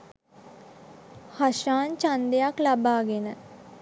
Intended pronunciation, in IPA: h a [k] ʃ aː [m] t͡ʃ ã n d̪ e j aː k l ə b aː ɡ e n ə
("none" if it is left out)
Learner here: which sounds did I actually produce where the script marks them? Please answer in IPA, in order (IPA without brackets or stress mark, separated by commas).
none, n